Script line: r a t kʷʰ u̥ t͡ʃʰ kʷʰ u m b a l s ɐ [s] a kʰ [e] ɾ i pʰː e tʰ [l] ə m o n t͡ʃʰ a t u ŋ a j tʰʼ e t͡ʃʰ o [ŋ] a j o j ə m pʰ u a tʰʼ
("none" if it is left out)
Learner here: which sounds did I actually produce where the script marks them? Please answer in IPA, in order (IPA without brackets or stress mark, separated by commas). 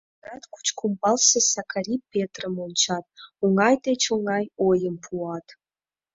s, a, r, ŋ